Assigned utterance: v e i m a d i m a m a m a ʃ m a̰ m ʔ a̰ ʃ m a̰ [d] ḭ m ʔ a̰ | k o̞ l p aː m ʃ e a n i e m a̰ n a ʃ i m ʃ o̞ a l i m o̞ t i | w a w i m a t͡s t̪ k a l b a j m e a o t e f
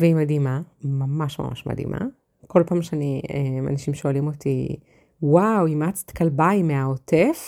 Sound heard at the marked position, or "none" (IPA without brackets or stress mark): d